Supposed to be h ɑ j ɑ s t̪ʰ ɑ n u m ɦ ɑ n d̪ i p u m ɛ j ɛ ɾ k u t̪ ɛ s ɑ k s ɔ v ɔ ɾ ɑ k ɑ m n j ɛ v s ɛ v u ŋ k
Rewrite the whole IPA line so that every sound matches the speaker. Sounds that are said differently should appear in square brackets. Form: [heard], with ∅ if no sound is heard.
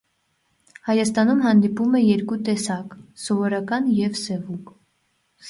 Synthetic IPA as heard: h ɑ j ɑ s [t̪] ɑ n u m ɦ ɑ n d̪ i p u m ɛ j ɛ ɾ k u t̪ ɛ s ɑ k s ɔ v ɔ ɾ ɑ k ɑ [∅] n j ɛ v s ɛ v u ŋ k